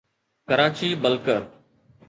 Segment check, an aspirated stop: absent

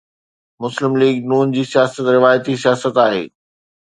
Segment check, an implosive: absent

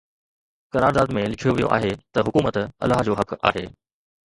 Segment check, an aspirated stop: present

